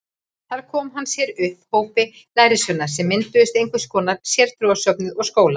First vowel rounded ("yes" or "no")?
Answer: no